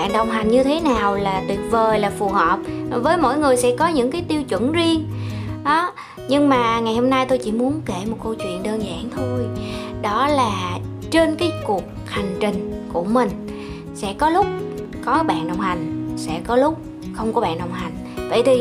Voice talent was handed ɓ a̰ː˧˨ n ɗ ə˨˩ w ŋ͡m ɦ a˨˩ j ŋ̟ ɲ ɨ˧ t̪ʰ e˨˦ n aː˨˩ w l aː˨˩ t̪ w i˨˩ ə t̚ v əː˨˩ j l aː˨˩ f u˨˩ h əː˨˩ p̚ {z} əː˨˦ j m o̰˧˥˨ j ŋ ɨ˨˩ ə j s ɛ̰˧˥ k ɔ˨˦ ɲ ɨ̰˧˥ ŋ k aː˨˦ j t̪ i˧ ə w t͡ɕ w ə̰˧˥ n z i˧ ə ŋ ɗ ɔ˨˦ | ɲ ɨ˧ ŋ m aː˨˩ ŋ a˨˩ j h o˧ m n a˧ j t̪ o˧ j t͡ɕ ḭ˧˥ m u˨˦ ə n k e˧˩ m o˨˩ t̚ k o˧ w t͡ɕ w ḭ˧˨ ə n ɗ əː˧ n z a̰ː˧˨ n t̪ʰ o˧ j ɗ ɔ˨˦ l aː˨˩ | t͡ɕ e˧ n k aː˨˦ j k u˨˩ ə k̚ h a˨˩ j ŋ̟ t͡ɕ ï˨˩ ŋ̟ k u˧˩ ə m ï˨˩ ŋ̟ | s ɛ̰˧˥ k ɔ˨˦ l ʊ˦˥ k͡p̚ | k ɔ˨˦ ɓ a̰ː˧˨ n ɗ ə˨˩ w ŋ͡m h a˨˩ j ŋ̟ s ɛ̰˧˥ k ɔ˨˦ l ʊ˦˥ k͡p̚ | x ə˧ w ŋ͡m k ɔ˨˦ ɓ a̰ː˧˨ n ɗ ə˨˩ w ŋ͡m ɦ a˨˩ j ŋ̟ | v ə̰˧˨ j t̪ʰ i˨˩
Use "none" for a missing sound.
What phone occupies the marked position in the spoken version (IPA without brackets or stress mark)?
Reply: v